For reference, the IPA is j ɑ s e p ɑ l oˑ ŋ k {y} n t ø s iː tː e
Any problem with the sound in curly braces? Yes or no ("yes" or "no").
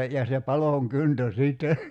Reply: no